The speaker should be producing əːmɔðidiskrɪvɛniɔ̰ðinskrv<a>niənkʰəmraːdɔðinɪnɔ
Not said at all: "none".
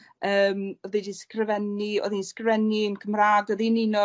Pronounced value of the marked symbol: ɛ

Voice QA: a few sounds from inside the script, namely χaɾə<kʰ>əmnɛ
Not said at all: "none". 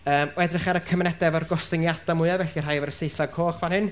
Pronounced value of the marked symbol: kʰ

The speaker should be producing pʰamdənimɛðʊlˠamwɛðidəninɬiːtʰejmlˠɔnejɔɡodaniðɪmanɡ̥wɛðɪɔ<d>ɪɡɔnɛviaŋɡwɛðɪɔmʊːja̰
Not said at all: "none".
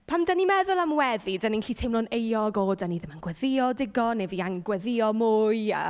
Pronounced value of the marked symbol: d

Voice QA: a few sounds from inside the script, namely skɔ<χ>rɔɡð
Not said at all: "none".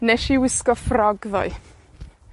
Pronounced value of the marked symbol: f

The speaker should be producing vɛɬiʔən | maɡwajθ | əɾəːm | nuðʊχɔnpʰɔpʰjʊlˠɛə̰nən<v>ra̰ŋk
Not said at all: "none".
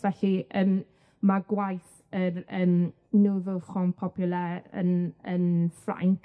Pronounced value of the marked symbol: f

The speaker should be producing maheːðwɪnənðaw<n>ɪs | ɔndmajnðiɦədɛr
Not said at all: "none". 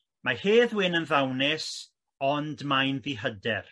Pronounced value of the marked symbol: n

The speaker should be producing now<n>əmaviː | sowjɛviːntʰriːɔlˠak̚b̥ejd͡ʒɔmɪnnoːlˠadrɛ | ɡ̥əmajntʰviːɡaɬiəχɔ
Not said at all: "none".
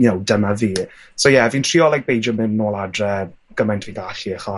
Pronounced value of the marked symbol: d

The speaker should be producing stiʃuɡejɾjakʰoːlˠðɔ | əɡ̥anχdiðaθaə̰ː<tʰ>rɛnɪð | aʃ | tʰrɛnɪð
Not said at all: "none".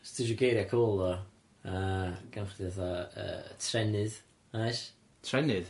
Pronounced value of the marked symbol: tʰ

